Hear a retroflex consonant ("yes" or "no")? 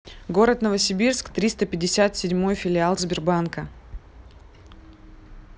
no